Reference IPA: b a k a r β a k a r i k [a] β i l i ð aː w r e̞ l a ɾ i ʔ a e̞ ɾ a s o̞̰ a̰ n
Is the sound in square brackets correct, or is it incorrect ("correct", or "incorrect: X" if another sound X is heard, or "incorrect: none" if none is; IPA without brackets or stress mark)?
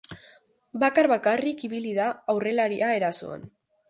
incorrect: i